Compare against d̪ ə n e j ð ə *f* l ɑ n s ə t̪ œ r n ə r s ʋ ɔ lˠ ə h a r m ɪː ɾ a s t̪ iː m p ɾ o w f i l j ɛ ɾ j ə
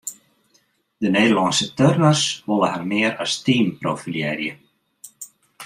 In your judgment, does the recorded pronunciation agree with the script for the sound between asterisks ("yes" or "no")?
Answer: no